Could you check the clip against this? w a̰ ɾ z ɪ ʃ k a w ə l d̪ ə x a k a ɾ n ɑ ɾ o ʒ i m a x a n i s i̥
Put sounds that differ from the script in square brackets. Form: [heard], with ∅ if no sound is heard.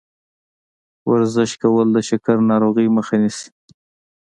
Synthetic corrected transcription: w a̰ ɾ z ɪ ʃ k a w ə l d̪ ə [ʃ] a k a ɾ n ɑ ɾ o [ɣ] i m [ə] x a n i s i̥